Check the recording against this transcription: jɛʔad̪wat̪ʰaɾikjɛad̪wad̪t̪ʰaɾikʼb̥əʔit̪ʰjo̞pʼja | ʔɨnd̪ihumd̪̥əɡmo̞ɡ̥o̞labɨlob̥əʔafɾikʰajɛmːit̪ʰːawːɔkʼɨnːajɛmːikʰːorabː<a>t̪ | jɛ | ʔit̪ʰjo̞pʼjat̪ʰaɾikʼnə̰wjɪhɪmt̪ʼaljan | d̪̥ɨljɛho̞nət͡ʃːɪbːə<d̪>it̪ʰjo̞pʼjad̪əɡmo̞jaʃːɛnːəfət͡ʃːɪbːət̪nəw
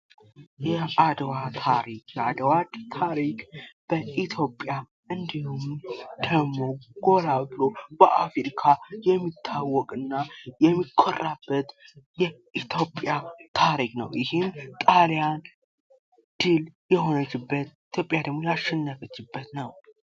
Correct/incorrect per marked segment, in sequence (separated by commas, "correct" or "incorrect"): incorrect, incorrect